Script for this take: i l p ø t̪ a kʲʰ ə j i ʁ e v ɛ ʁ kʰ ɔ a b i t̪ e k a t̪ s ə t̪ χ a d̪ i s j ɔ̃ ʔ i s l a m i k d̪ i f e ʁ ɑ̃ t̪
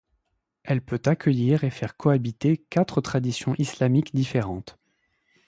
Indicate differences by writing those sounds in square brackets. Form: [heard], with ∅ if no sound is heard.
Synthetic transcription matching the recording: [ɛ] l p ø t̪ a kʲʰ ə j i ʁ e [f] ɛ ʁ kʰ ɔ a b i t̪ e k a t̪ [χ] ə t̪ χ a d̪ i s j ɔ̃ ʔ i s l a m i k d̪ i f e ʁ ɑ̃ t̪

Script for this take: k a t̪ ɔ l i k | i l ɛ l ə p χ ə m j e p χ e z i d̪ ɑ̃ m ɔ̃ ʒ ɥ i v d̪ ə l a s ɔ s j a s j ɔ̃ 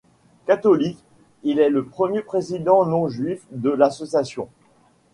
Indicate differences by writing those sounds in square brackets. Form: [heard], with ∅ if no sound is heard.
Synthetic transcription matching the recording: k a t̪ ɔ l i k | i l ɛ l ə p χ ə m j e p χ e z i d̪ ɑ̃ [n] ɔ̃ ʒ ɥ i [f] d̪ ə l a s ɔ s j a s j ɔ̃

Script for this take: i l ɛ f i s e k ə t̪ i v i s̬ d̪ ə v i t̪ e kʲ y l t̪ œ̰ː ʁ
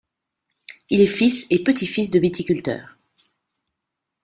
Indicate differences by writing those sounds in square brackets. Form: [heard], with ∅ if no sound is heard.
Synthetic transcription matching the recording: i l ɛ f i s e [p] ə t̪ i [f] i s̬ d̪ ə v i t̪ [i] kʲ y l t̪ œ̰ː ʁ

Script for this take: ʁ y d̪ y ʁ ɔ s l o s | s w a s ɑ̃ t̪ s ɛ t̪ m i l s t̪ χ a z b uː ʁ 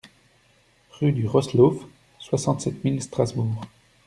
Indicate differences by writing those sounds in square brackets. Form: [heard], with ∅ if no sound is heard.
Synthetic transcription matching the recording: ʁ y d̪ y ʁ ɔ s l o [f] | s w a s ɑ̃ t̪ s ɛ t̪ m i l s t̪ χ a z b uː ʁ

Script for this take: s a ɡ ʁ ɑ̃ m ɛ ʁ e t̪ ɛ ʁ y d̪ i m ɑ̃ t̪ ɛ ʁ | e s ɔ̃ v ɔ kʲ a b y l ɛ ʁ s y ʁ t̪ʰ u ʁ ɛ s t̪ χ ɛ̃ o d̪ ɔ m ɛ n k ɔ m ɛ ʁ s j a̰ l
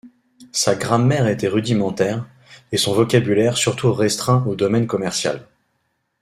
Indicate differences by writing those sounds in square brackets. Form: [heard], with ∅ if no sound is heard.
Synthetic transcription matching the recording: s a ɡ ʁ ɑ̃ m ɛ ʁ e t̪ ɛ ʁ y d̪ i m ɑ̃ t̪ ɛ ʁ | e s ɔ̃ v ɔ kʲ a b y l ɛ ʁ s y ʁ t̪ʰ u ʁ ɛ s t̪ χ ɛ̃ o d̪ ɔ m ɛ n k ɔ m ɛ ʁ s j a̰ l

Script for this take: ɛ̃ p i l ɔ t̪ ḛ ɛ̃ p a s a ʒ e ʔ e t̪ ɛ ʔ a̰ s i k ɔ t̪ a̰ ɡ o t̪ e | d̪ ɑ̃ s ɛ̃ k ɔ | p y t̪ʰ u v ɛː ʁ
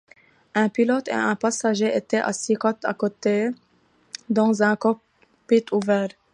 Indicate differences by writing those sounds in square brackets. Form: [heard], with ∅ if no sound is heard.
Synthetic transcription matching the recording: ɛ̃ p i l ɔ t̪ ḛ ɛ̃ p a s a ʒ e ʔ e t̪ ɛ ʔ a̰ s i k ɔ t̪ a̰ [k] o t̪ e | d̪ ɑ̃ [z] ɛ̃ k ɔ | p [i] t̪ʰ u v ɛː ʁ

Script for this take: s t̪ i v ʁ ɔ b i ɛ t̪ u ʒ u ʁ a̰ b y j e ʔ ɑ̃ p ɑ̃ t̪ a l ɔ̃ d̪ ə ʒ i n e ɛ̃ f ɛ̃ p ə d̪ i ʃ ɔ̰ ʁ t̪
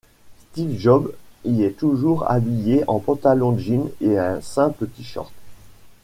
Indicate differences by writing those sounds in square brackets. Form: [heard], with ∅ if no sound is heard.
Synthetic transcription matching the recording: s t̪ i v [ʒ] ɔ b i ɛ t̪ u ʒ u ʁ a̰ b [i] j e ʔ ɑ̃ p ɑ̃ t̪ a l ɔ̃ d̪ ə ʒ i n e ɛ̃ [s] ɛ̃ p ə [t̪] i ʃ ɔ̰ ʁ t̪

